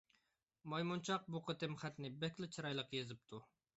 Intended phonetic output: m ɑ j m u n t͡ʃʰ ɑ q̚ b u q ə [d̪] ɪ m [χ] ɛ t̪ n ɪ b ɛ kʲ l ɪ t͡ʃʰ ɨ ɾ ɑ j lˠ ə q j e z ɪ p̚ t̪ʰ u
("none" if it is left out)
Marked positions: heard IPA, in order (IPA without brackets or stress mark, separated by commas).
t̪, χ